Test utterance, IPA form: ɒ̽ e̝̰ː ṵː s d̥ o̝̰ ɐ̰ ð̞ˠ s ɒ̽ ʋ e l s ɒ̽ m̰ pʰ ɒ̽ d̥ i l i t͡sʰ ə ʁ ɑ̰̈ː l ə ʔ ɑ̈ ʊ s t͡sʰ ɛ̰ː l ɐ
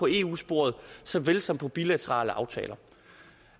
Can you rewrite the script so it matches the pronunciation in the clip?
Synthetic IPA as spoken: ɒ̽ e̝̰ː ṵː s b̥ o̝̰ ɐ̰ ð̞ˠ s ɒ̽ ʋ e l s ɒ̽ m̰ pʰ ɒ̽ b̥ i l æ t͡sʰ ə ʁ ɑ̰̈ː l ə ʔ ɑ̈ ʊ t͡sʰ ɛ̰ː l ɐ